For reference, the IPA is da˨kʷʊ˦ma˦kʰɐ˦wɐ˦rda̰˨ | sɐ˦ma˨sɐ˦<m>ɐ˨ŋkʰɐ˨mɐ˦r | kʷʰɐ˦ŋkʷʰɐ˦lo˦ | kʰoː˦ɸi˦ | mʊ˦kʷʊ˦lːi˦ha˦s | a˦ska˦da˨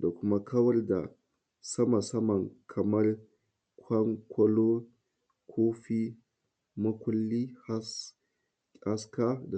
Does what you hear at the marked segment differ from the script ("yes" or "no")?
no